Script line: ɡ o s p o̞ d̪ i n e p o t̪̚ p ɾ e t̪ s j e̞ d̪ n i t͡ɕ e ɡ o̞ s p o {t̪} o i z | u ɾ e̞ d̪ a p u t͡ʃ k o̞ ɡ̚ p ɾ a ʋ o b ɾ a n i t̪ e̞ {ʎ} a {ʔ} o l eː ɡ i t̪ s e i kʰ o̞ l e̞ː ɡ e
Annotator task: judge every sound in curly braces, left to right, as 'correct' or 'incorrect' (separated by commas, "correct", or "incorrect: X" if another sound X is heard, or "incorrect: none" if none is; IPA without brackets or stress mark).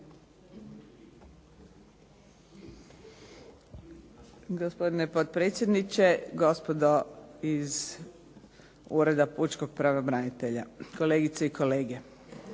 incorrect: d̪, correct, incorrect: k